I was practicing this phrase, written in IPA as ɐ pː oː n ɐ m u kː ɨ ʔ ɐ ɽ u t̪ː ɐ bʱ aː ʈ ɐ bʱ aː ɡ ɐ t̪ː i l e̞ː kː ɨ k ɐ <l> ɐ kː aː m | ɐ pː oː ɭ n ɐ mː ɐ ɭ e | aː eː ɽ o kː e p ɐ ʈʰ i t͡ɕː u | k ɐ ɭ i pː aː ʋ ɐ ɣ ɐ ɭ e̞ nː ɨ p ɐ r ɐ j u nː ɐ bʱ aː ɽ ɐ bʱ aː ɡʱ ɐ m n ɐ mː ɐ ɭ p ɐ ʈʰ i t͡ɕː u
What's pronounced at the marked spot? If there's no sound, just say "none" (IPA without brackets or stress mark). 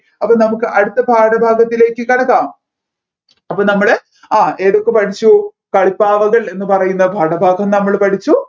ɽ